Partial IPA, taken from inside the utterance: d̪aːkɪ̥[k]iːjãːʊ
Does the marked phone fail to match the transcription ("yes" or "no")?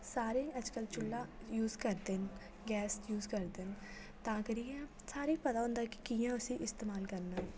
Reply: no